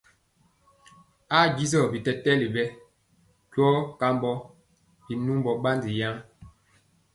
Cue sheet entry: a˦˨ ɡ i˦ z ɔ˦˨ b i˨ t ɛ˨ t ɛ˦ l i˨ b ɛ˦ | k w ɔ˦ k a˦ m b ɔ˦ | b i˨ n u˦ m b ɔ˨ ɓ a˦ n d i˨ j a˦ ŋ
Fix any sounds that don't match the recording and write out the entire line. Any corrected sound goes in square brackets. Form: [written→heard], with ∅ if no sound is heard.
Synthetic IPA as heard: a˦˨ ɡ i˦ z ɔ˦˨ b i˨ t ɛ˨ t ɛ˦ l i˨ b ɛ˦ | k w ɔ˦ k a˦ m b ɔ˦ | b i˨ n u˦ m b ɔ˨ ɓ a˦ n d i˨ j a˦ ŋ